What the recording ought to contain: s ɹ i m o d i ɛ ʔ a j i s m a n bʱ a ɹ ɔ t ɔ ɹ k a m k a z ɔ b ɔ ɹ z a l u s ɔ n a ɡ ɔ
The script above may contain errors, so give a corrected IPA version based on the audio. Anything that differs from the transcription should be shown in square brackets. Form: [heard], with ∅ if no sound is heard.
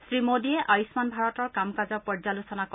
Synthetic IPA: s ɹ i m o d i ɛ ʔ a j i s m a n bʱ a ɹ ɔ t ɔ ɹ k a m k a z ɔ [p] ɔ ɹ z a l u s ɔ n a [k] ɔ